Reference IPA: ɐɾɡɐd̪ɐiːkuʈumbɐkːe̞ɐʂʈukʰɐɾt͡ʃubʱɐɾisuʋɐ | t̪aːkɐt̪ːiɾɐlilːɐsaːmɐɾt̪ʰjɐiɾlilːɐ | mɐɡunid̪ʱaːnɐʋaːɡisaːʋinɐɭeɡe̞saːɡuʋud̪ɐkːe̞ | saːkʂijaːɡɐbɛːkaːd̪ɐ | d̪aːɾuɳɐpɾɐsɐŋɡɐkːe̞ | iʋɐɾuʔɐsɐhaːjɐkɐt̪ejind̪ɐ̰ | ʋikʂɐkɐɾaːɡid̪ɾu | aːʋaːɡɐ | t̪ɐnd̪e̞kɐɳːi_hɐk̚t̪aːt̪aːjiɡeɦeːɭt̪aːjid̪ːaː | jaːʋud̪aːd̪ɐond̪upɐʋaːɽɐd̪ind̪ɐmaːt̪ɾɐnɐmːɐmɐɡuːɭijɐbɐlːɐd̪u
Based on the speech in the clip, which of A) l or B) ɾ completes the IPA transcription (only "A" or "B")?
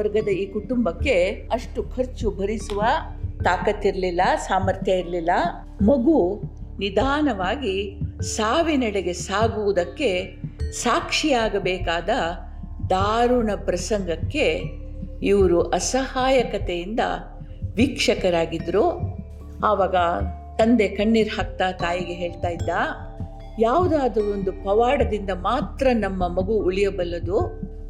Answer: B